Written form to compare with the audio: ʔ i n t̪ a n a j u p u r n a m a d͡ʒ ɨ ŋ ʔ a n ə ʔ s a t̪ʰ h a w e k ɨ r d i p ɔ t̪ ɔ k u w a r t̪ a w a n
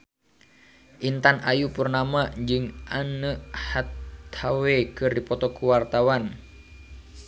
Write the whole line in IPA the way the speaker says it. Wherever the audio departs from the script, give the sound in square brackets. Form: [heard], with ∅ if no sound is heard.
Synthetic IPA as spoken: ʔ i n t̪ a n a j u p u r n a m a d͡ʒ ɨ ŋ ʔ a n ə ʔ [h] a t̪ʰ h a w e k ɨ r d i p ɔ t̪ ɔ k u w a r t̪ a w a n